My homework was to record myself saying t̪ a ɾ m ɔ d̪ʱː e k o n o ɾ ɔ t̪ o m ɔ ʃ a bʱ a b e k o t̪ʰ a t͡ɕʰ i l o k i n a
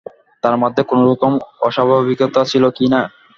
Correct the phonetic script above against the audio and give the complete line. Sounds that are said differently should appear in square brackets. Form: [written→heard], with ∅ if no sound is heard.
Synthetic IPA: t̪ a ɾ m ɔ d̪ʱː e k o n o ɾ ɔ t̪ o m ɔ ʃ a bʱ a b [e→i] k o [t̪ʰ→t̪] a t͡ɕʰ i l o k i n a